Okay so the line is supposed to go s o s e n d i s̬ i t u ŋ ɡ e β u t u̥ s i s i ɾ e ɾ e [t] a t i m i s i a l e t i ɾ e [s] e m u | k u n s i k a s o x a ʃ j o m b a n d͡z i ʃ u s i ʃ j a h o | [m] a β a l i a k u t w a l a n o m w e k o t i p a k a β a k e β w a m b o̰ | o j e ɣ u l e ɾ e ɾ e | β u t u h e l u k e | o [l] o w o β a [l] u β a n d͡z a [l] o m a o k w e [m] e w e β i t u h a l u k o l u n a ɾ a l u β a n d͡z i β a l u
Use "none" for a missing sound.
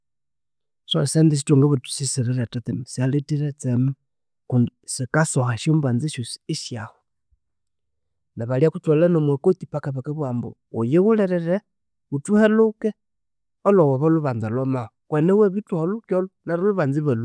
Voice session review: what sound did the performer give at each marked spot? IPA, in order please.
t, t͡s, n, l, l, l, n

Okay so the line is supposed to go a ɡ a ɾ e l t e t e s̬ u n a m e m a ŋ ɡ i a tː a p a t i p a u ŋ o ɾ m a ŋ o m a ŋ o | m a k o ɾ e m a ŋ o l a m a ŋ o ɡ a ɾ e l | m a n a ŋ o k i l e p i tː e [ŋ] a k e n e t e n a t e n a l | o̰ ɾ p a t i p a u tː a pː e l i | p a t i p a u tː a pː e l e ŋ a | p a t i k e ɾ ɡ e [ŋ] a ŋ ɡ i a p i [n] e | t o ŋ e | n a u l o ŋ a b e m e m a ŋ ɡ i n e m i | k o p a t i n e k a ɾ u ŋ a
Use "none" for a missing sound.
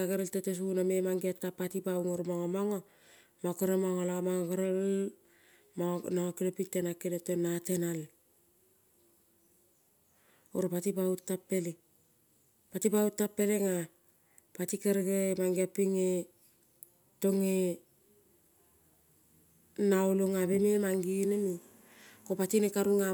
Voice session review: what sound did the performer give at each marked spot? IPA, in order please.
n, m, ŋ

